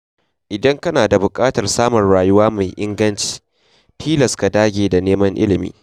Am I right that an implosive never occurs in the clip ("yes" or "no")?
yes